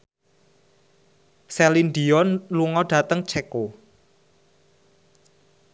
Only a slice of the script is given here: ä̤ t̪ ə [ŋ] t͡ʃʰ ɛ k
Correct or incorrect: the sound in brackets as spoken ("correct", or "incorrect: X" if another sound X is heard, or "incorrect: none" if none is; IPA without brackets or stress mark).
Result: correct